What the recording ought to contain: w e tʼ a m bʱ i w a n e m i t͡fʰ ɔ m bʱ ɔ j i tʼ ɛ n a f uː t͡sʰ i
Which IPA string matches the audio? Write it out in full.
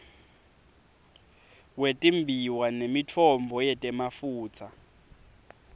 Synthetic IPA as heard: w e tʼ i m bʱ i w a n e m i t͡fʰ ɔ m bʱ ɔ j ɛ tʼ ɛ m a f uː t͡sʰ a